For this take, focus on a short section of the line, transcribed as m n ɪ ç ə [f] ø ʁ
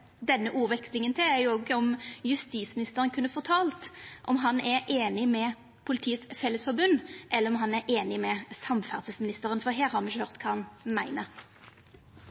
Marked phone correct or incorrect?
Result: incorrect: h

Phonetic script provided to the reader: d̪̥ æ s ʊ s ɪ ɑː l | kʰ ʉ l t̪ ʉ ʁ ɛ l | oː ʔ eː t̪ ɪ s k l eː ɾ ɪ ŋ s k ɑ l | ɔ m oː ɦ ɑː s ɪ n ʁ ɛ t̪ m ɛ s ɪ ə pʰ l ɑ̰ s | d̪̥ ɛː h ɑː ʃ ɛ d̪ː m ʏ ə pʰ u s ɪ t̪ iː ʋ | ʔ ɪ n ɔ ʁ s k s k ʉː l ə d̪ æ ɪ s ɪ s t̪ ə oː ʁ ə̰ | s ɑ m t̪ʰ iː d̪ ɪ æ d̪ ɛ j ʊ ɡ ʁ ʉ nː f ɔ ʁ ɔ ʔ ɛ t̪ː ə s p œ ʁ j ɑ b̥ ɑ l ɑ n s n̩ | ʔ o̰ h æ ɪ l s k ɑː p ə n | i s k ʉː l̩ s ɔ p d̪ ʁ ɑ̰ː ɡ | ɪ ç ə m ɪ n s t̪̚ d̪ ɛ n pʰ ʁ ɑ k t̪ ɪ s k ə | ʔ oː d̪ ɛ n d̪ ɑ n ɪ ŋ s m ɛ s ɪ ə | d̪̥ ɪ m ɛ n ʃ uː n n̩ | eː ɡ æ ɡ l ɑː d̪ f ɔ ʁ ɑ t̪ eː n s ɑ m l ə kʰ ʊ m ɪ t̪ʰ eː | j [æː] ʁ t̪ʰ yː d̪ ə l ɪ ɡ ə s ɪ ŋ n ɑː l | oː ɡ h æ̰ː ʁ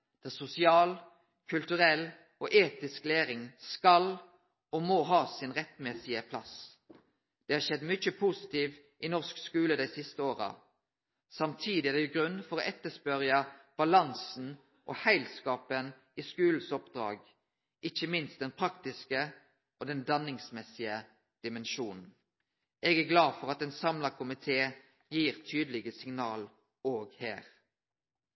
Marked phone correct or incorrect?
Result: incorrect: iː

